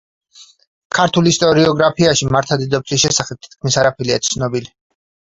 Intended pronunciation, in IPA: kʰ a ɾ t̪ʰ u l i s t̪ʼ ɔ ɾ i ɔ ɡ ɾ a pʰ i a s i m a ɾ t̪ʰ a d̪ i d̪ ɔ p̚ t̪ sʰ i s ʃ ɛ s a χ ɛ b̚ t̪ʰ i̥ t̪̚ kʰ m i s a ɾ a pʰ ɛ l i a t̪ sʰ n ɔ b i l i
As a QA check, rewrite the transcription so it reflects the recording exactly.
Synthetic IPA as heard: kʰ a ɾ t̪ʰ u l i s t̪ʼ ɔ ɾ i ɔ ɡ ɾ a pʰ i a ʃ i m a ɾ t̪ʰ a d̪ i d̪ ɔ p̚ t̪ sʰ i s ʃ ɛ s a χ ɛ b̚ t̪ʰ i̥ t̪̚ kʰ m i s a ɾ a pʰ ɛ l i a t̪ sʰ n ɔ b i l i